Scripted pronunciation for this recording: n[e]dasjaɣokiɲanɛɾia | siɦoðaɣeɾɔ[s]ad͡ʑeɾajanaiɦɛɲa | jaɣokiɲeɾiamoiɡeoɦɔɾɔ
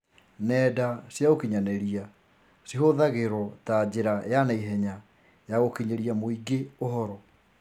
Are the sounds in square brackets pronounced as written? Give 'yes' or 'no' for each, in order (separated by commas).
no, no